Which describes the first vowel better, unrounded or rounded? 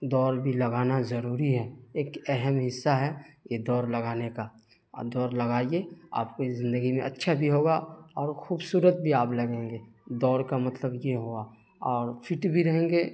rounded